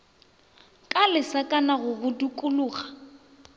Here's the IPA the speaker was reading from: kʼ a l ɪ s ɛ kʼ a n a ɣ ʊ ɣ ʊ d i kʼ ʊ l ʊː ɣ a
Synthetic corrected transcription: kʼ a l ɪ s a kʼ a n a ɣ ʊ ɣ ʊ d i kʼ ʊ l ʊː ɣ a